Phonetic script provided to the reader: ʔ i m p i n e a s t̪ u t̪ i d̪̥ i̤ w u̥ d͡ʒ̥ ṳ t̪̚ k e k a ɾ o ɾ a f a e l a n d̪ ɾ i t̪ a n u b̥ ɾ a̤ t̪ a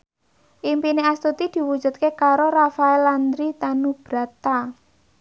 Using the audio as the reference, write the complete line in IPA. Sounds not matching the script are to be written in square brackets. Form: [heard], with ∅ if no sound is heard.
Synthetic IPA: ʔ i m p i n e a s t̪ u t̪ i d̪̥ i̤ w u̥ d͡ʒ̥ ṳ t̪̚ k e k a ɾ o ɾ a f a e l a n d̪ ɾ i t̪ a n u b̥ ɾ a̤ t̪ a